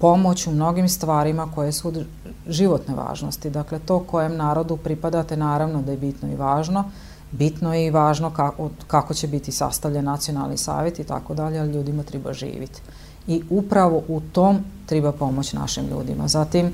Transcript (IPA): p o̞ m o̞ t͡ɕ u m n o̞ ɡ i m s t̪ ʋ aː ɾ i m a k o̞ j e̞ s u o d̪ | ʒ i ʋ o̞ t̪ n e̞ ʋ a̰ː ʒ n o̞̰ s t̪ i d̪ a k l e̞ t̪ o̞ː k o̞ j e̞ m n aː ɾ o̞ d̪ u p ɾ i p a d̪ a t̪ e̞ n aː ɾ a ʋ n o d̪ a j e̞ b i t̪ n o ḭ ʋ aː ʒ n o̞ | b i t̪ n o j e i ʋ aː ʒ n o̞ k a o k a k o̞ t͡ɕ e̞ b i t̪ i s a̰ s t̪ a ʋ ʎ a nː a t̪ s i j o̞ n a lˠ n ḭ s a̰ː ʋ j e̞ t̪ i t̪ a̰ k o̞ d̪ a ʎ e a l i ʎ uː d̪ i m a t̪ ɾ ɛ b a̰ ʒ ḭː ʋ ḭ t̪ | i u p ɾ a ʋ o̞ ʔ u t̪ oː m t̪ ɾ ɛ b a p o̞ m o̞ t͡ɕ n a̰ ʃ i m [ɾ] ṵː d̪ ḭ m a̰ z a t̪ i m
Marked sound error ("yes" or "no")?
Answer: yes